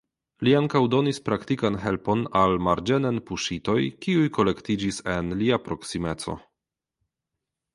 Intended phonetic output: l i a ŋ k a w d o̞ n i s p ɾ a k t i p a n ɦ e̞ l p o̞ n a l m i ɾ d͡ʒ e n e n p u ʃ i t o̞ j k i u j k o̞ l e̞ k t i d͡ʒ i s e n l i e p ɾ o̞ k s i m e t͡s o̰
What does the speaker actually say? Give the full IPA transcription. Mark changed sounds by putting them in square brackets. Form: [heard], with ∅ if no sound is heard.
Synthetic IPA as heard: l i a ŋ k a w d o̞ n i s p ɾ a k t i [k] a n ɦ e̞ l p o̞ n a l m [a] ɾ d͡ʒ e n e n p u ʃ i t o̞ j k i u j k o̞ l e̞ k t i d͡ʒ i s e n l i [a] p ɾ o̞ k s i m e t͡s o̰

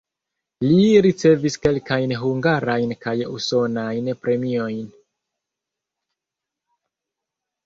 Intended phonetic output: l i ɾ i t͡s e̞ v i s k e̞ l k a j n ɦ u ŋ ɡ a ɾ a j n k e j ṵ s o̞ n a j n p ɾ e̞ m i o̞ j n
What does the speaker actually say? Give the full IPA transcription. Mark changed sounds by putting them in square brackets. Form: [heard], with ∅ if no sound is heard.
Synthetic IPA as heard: l i ɾ i t͡s e̞ v i s k e̞ l k a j n ɦ u ŋ ɡ a ɾ a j n k [a] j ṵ s o̞ n a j n p ɾ e̞ m i o̞ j n

